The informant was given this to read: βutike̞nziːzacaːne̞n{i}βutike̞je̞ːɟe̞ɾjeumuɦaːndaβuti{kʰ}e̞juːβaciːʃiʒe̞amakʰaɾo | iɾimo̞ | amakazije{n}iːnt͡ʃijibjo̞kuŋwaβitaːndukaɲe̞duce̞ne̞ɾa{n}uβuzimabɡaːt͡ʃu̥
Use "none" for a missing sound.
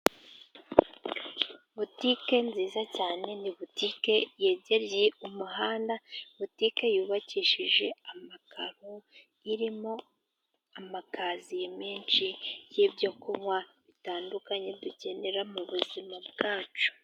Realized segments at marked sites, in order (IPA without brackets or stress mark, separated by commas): i, k, m, m